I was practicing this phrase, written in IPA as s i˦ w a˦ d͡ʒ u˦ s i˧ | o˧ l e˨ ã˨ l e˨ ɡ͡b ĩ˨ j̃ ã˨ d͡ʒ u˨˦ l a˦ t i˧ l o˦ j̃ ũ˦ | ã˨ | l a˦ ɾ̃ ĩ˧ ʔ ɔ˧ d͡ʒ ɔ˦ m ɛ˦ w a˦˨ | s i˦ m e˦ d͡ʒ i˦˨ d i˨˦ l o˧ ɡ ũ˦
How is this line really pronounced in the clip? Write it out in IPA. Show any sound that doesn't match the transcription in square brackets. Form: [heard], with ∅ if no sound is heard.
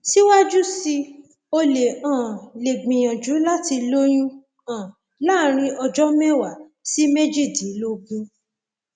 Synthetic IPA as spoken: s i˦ w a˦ d͡ʒ u˦ s i˧ | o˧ l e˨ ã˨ l e˨ ɡ͡b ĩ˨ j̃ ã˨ d͡ʒ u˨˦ l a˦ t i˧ l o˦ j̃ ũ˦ | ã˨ | l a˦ ɾ̃ ĩ˧ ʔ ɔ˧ d͡ʒ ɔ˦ m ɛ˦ w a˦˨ | s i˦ m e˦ d͡ʒ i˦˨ d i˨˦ l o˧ ɡ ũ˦

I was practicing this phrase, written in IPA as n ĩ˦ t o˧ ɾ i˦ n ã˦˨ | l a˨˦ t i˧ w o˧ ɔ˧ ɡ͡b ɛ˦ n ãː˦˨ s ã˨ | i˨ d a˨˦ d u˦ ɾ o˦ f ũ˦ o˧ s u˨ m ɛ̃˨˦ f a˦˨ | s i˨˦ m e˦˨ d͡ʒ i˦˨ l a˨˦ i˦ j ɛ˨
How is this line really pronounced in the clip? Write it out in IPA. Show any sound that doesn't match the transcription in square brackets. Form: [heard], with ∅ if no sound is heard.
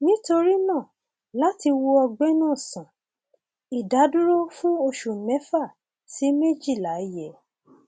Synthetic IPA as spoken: n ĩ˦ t o˧ ɾ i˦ n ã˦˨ | l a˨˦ t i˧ w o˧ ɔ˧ ɡ͡b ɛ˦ n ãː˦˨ s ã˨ | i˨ d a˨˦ d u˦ ɾ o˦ f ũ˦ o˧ [ʃ] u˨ m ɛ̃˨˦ f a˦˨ | s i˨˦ m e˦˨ d͡ʒ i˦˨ l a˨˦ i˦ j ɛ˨

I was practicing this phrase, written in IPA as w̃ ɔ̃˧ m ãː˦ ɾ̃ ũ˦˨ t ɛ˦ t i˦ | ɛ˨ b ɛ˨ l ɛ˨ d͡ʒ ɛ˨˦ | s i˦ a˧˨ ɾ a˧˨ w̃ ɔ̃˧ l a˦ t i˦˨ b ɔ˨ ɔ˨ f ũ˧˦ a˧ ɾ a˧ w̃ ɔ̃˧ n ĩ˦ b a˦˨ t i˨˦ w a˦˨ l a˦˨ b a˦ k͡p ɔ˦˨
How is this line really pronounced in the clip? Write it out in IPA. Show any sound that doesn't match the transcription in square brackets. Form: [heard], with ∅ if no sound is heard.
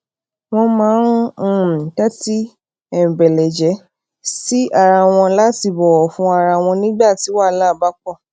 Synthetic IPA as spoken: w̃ ɔ̃˧ m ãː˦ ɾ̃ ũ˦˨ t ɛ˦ t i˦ | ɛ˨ b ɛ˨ l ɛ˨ d͡ʒ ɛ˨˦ | s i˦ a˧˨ ɾ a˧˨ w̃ ɔ̃˧ l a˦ t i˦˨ b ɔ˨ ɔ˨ f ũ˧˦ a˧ ɾ a˧ w̃ ɔ̃˧ n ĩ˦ [ɡ͡b] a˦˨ t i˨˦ w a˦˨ l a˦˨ b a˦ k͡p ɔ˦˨

